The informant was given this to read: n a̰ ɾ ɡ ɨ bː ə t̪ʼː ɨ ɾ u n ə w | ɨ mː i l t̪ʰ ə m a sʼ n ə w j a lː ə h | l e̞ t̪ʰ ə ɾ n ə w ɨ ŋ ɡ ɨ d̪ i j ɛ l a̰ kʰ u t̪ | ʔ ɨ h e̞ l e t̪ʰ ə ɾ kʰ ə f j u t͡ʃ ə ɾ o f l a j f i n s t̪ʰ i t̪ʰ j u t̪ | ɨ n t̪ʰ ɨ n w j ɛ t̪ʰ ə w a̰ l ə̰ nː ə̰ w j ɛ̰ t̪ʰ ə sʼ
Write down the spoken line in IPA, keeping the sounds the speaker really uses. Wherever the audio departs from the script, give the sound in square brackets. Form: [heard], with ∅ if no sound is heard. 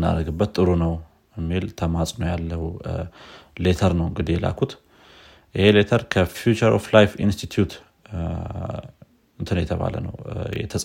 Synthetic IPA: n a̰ ɾ ɡ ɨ bː ə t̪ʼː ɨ ɾ u n ə w | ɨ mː i l t̪ʰ ə m a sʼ n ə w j a lː ə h | l e̞ t̪ʰ ə ɾ n ə w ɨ ŋ ɡ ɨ d̪ i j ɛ l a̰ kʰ u t̪ | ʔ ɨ h e̞ l e t̪ʰ ə ɾ kʰ ə f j u t͡ʃ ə ɾ o f l a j f i n s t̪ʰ i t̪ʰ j u t̪ | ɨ n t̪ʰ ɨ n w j ɛ t̪ʰ ə [β] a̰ l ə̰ [n] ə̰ w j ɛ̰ t̪ʰ ə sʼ